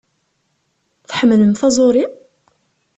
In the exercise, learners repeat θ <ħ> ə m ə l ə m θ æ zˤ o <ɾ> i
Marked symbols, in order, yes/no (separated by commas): yes, yes